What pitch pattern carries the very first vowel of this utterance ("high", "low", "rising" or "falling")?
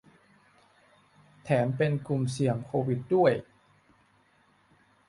rising